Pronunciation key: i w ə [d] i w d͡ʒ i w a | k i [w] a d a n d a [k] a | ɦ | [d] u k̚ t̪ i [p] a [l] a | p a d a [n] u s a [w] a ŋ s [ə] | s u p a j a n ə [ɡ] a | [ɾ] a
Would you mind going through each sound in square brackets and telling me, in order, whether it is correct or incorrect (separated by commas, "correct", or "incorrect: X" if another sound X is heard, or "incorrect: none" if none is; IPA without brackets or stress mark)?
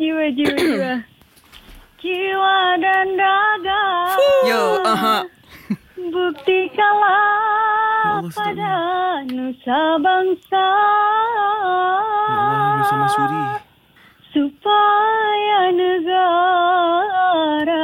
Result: incorrect: d͡ʒ, correct, incorrect: ɡ, incorrect: b, incorrect: k, correct, correct, incorrect: b, incorrect: a, correct, correct